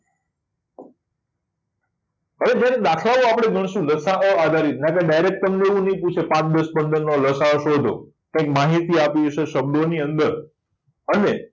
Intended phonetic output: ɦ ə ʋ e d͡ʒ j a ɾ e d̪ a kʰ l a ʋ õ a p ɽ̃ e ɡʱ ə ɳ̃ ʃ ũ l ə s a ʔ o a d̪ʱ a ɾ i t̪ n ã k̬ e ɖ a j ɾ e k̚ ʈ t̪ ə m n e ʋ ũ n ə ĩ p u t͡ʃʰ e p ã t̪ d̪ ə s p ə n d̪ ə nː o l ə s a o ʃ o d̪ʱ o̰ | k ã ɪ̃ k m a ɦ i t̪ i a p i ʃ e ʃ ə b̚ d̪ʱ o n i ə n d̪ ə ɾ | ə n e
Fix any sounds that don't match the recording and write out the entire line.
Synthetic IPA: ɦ ə ʋ e d͡ʒ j a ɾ e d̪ a kʰ l a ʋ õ a p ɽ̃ e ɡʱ ə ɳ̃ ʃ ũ l ə s a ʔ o a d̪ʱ a ɾ i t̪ n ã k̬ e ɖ a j ɾ e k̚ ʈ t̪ ə m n e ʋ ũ n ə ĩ p u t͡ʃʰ e p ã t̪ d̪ ə s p ə n d̪ ə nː o l ə s a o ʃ o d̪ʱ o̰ | k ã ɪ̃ k m a ɦ i t̪ i a p i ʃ e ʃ ə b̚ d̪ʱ o n i ə n d̪ ə ɾ | ə n e